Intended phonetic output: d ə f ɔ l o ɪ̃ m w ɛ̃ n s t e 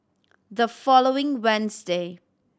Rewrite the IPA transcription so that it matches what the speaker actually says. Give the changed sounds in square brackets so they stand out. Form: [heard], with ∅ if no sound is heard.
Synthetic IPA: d ə f ɔ l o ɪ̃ [ŋ] w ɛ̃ n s [d] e